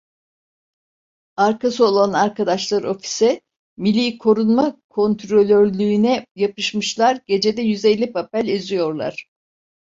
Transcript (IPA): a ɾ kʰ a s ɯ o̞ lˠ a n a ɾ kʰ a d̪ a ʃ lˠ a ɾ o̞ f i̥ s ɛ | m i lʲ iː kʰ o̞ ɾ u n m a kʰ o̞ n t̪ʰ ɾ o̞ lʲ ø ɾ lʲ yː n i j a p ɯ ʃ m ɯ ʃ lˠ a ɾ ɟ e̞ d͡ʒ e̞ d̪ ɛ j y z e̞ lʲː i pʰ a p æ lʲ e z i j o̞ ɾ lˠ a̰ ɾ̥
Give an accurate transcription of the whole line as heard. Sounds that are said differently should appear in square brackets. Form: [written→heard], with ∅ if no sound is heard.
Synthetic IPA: a ɾ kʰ a s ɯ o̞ lˠ a n a ɾ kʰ a d̪ a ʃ lˠ a ɾ o̞ f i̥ s ɛ | m i lʲ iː kʰ o̞ ɾ u n m a kʰ o̞ n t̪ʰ ɾ o̞ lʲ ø ɾ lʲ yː n [i→ɛ] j a p ɯ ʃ m ɯ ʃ lˠ a ɾ ɟ e̞ d͡ʒ e̞ d̪ ɛ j y z e̞ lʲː i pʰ a p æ lʲ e z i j o̞ ɾ lˠ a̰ ɾ̥